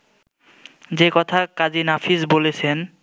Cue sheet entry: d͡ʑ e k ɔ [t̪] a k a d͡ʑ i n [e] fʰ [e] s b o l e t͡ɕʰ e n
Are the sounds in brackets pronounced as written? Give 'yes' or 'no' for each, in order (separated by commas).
no, no, no